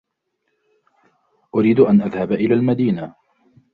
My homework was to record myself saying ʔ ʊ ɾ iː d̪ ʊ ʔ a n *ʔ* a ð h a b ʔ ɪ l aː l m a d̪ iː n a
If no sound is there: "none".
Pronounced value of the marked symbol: ʔ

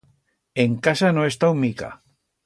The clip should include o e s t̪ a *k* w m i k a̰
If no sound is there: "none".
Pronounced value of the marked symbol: none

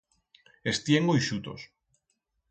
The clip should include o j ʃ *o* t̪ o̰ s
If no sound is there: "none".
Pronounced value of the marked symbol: u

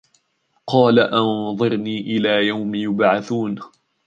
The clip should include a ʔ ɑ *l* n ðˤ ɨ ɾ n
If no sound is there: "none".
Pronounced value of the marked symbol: none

